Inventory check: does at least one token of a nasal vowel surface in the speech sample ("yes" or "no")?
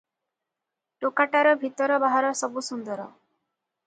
no